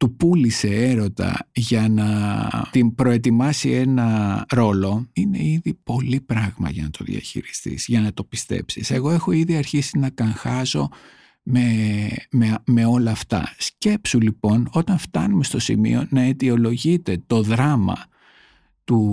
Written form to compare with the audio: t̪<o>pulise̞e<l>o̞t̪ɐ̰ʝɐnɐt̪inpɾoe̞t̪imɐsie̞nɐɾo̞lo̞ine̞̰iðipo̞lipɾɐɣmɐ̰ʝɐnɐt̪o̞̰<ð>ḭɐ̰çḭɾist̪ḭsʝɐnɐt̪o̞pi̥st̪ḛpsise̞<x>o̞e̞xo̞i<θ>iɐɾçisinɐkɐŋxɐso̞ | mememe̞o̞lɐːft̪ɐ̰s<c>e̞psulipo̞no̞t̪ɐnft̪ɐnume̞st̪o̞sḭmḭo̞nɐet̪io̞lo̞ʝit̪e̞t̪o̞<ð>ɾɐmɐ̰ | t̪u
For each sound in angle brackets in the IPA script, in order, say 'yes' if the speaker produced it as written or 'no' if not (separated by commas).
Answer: no, no, yes, no, no, yes, yes